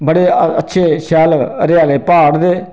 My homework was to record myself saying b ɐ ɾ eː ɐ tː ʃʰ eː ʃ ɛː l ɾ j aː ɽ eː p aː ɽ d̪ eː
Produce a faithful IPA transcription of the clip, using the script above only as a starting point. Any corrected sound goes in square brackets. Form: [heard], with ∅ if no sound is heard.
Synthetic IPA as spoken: b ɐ [ɽ] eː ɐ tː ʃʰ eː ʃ [aː] l ɾ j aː [l] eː p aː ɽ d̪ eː

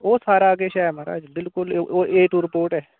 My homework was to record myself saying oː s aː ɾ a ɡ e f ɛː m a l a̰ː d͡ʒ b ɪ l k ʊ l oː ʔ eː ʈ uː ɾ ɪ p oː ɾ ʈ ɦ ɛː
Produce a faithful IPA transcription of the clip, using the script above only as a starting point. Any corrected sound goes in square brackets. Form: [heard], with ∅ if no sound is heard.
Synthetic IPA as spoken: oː s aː ɾ a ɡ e [ʃ] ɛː m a [ɾ] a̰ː d͡ʒ b ɪ l k ʊ l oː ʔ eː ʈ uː ɾ ɪ p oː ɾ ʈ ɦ ɛː

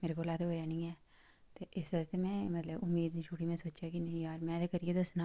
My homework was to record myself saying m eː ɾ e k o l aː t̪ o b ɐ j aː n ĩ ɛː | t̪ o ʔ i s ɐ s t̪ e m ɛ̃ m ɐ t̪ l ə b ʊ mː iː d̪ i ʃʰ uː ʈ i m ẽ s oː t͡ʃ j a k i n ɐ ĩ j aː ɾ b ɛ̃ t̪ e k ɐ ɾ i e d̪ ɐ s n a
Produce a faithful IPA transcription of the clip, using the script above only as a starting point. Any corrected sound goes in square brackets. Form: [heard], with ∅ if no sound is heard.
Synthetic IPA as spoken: m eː ɾ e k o l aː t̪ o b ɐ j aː n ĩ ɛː | t̪ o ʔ [ɪ] s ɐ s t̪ e m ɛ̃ m ɐ t̪ l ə b ʊ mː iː d̪ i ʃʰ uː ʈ i m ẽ s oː t͡ʃ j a k i n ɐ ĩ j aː ɾ [m] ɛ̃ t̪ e k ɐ ɾ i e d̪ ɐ s n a

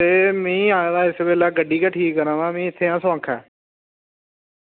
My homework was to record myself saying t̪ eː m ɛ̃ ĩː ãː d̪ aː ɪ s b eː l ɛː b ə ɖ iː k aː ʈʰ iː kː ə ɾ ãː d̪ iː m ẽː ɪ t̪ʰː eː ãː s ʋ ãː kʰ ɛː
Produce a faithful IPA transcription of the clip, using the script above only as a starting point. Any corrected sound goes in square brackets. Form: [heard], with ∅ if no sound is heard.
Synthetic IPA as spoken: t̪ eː m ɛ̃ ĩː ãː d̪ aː ɪ s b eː l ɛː [ɡ] ə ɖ iː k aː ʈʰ iː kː ə ɾ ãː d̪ [aː] m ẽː ɪ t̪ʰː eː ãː s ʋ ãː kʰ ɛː

